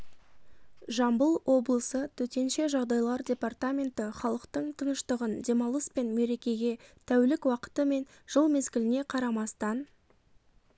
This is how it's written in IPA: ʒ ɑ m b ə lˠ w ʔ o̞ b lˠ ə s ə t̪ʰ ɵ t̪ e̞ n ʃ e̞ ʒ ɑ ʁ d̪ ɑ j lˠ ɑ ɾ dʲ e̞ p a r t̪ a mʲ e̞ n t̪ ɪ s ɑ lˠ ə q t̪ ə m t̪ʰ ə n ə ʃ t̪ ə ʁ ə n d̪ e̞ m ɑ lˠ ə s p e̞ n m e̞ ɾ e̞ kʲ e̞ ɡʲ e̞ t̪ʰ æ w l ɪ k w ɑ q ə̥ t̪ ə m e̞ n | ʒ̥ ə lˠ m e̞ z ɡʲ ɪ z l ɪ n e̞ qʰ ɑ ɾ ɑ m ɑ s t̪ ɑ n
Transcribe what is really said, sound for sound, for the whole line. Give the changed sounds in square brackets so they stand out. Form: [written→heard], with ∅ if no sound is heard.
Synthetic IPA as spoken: ʒ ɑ m b ə lˠ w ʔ o̞ b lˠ ə s ə t̪ʰ ɵ t̪ e̞ n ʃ e̞ ʒ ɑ ʁ d̪ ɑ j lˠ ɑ ɾ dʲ e̞ p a r t̪ a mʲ e̞ n t̪ ɪ [s→χ] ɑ lˠ ə q t̪ ə [m→ɴ] t̪ʰ ə n ə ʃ t̪ ə ʁ ə n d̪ e̞ m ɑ lˠ ə s p e̞ n m e̞ ɾ e̞ kʲ e̞ ɡʲ e̞ t̪ʰ æ w l ɪ k w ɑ q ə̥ t̪ ə m e̞ n | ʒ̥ ə lˠ m e̞ z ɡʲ ɪ [z→∅] l ɪ n e̞ qʰ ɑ ɾ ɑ m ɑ s t̪ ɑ n